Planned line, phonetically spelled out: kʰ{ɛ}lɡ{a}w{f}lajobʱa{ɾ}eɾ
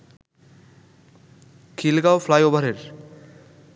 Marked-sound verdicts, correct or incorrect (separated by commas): incorrect, correct, correct, correct